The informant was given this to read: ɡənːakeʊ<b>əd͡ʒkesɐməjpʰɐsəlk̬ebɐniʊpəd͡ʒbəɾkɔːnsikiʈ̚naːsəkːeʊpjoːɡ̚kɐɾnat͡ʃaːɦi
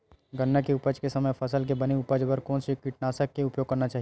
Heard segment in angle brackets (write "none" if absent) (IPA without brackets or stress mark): p